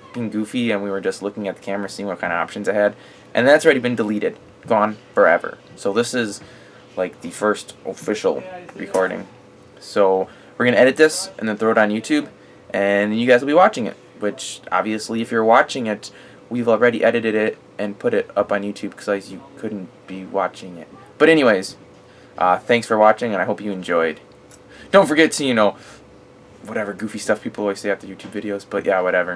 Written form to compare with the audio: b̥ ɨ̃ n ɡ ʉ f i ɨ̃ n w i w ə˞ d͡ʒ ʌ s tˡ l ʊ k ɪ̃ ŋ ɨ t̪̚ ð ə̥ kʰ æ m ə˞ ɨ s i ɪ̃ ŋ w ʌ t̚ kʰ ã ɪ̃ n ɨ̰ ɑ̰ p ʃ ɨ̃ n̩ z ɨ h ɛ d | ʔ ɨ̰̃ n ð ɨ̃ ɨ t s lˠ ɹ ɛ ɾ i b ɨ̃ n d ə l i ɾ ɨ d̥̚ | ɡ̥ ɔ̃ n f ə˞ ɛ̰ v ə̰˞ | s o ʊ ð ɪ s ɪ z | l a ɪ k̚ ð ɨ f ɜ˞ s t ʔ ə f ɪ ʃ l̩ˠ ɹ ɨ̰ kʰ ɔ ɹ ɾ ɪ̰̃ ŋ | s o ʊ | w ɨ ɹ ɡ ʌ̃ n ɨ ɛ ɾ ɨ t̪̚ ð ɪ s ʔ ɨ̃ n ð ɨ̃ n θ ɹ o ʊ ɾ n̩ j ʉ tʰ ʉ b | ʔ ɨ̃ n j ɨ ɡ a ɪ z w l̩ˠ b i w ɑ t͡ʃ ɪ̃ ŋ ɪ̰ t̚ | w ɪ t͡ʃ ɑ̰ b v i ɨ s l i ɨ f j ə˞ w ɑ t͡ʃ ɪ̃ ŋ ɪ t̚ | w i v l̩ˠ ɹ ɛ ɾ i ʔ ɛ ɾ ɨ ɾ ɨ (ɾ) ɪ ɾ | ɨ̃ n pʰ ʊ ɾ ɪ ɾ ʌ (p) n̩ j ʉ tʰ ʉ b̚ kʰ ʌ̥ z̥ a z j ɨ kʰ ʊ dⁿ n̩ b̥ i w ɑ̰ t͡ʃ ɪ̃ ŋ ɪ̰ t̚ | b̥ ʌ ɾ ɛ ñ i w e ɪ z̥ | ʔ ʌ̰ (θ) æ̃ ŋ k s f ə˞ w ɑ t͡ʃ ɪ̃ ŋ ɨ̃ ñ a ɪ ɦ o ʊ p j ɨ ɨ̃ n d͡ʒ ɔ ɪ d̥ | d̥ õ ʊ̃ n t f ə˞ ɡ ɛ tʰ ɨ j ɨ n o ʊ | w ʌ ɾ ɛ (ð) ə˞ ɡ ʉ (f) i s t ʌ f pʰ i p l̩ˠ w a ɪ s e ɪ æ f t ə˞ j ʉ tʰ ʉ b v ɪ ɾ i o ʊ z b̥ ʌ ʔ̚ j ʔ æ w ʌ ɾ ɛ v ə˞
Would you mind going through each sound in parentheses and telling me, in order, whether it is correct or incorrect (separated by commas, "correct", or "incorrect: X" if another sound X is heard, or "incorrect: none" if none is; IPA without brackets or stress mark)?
correct, correct, correct, incorrect: v, correct